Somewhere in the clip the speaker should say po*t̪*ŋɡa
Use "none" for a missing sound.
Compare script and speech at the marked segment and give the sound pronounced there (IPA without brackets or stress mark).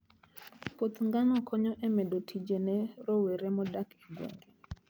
t̪